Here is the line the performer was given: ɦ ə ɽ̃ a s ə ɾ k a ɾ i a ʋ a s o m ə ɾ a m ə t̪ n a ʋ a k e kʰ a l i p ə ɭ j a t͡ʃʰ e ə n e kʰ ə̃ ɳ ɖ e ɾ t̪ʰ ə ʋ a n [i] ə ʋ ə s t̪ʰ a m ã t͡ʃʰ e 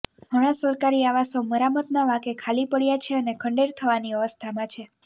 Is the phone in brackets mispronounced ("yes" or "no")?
no